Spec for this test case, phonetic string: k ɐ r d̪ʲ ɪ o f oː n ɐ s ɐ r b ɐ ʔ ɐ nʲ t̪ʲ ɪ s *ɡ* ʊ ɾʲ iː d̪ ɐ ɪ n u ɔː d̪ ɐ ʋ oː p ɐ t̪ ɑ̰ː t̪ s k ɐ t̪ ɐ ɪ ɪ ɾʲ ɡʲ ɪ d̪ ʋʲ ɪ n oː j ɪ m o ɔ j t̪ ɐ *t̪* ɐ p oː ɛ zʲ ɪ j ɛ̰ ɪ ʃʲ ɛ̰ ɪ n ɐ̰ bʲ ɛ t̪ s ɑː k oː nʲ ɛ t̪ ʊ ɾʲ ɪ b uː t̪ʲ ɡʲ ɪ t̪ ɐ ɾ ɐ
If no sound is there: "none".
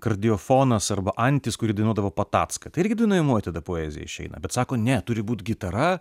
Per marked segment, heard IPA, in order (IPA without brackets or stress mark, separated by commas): k, d̪